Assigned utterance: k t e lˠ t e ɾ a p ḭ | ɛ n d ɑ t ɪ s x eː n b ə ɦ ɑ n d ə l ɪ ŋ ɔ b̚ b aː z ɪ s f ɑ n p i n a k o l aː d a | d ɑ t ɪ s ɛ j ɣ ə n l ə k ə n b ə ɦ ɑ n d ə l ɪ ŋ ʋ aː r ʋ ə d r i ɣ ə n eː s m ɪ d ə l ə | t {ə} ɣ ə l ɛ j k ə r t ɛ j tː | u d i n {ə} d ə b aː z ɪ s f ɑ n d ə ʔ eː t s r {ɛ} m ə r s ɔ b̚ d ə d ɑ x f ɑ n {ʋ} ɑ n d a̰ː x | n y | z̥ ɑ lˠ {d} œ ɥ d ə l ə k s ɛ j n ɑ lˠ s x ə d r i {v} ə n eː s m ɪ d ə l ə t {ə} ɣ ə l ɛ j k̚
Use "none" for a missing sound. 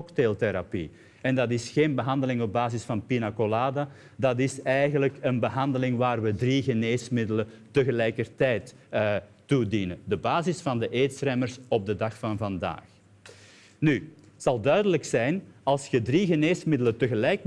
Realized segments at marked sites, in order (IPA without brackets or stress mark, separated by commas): ə, ə, ɛ, v, d, ɣ, ə